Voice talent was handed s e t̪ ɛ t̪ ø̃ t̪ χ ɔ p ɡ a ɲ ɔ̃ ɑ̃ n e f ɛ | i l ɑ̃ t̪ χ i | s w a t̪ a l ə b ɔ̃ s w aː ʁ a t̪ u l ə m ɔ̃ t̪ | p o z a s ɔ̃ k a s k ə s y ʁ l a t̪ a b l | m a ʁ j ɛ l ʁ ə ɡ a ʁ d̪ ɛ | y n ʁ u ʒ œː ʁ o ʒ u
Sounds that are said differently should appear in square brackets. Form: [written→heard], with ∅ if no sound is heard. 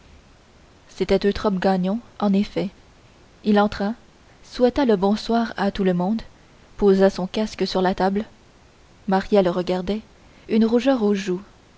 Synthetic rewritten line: s e t̪ ɛ t̪ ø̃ t̪ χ ɔ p ɡ a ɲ ɔ̃ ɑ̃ n e f ɛ | i l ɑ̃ t̪ χ [i→a] | s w [a→ɛ] t̪ a l ə b ɔ̃ s w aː ʁ a t̪ u l ə m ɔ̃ [t̪→d̪] | p o z a s ɔ̃ k a s k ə s y ʁ l a t̪ a b l | m a ʁ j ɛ l ʁ ə ɡ a ʁ d̪ ɛ | y n ʁ u ʒ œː ʁ o ʒ u